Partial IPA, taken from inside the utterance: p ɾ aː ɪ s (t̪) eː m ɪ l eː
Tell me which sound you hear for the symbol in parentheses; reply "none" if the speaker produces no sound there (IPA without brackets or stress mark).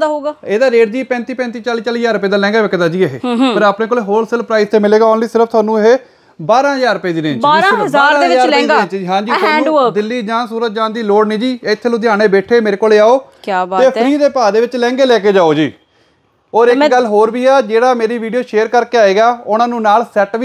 t̪